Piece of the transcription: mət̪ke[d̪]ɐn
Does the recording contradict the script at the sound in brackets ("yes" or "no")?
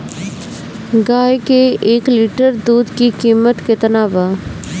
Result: yes